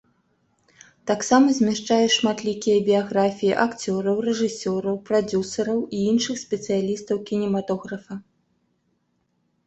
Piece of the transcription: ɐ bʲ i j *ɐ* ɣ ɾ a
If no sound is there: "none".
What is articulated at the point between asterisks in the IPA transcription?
a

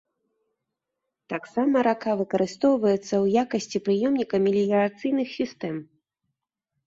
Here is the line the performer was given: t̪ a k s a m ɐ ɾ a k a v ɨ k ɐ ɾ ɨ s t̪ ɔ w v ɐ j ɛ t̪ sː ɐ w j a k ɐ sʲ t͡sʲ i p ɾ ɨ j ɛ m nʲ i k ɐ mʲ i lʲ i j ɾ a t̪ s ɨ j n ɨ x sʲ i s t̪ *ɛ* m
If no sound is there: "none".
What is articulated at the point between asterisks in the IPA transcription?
ɛ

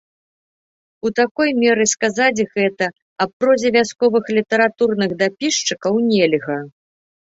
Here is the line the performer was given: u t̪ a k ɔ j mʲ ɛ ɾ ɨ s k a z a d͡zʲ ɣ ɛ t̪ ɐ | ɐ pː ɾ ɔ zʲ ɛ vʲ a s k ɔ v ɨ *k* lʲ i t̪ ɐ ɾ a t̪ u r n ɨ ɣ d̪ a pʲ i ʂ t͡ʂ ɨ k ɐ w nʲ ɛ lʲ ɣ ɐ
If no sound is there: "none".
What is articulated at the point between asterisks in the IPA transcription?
x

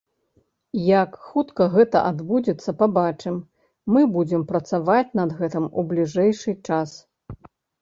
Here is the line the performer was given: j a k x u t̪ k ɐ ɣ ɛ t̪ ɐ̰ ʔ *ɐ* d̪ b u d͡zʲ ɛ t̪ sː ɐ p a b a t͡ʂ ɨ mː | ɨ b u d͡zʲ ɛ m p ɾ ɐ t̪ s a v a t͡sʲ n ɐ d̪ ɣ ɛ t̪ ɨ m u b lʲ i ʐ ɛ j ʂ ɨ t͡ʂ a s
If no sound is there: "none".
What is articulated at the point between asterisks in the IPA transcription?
a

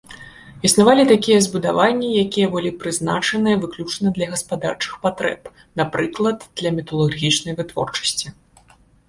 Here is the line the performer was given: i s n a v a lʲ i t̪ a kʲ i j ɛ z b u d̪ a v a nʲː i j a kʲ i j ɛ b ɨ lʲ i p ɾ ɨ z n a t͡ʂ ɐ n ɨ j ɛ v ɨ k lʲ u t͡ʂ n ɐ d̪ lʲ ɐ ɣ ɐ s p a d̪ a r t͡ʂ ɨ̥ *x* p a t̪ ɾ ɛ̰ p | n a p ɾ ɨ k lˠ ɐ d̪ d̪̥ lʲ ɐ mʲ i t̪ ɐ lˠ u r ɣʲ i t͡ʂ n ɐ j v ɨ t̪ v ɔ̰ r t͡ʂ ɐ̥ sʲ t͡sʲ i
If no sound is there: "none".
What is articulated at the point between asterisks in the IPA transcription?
x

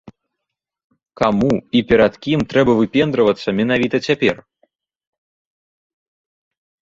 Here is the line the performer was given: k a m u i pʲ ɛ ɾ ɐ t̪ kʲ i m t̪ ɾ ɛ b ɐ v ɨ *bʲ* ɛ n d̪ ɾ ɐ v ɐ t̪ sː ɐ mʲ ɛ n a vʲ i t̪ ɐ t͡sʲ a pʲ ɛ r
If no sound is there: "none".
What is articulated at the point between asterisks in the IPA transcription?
pʲ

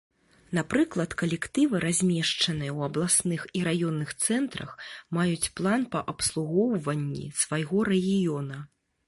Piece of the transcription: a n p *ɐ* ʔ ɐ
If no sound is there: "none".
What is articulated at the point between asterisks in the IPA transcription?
ɐ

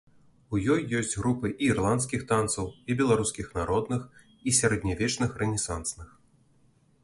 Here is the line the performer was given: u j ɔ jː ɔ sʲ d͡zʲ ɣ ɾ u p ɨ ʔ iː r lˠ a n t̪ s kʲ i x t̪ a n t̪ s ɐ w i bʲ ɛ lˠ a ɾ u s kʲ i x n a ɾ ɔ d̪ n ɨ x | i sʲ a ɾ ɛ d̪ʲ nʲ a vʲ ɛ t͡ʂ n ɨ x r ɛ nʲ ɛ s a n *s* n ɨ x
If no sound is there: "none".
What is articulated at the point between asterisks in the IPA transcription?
s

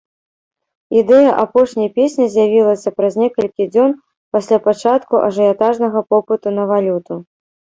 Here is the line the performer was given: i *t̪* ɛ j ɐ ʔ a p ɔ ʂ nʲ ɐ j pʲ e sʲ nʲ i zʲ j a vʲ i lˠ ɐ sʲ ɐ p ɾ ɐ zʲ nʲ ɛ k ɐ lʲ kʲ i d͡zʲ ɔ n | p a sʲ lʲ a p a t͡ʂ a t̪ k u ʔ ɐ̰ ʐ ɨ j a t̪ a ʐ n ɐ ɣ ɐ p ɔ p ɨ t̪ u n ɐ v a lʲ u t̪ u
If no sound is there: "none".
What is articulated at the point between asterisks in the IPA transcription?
d̪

